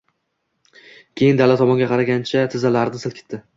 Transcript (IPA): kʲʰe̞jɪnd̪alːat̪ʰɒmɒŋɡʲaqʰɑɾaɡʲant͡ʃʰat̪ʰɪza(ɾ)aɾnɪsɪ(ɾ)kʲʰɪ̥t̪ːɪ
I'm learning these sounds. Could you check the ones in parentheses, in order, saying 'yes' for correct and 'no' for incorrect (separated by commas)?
no, no